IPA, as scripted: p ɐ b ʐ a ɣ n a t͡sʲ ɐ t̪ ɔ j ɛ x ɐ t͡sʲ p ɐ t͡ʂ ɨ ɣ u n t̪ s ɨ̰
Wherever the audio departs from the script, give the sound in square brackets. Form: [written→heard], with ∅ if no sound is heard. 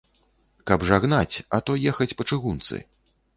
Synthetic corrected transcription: [p→k] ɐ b ʐ a ɣ n a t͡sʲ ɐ t̪ ɔ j ɛ x ɐ t͡sʲ p ɐ t͡ʂ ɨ ɣ u n t̪ s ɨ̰